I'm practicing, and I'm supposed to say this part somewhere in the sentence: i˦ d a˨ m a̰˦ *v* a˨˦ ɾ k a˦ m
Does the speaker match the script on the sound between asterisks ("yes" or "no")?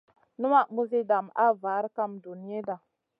yes